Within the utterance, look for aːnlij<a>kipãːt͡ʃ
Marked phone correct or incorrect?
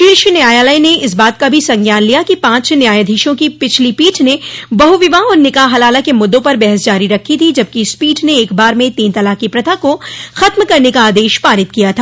correct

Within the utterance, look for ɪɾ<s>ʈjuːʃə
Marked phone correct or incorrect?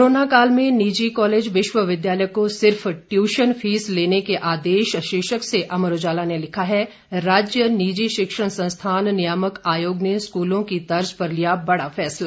incorrect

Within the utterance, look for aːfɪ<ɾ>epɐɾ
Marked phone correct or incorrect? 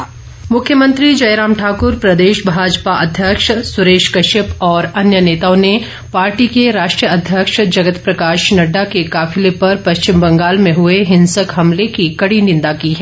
incorrect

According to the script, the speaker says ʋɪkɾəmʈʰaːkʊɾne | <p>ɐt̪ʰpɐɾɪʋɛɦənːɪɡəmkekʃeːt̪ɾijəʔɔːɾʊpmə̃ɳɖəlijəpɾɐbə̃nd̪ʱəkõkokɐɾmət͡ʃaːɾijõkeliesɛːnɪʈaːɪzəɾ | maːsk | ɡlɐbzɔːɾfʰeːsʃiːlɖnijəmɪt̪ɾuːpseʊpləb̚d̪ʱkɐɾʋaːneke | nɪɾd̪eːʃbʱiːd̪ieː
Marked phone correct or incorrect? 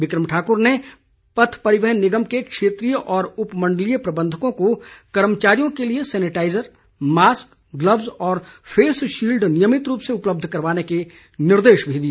correct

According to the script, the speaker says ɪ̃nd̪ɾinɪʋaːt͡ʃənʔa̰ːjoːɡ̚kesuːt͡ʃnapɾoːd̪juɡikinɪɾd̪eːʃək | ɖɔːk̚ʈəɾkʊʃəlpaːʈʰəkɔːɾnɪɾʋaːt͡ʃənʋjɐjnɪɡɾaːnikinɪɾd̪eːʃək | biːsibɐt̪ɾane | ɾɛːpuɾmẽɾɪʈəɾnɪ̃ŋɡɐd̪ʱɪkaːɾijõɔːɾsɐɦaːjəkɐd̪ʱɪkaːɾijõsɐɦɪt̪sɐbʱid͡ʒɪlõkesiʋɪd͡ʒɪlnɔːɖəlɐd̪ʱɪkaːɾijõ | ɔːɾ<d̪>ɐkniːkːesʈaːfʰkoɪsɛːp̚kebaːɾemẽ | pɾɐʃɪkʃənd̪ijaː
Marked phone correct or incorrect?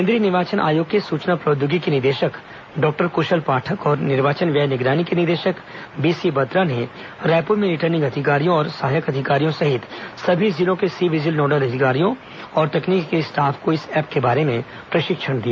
incorrect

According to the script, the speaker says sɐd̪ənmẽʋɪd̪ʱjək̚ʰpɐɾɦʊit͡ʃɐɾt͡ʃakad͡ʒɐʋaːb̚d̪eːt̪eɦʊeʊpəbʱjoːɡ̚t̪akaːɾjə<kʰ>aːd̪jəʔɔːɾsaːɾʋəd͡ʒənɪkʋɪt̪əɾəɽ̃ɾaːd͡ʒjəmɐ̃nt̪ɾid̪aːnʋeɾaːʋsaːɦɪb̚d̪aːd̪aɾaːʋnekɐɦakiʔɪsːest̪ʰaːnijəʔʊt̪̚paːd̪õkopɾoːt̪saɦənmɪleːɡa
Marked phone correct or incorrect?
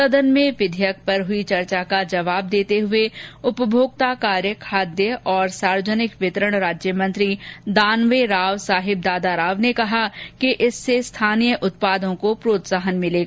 correct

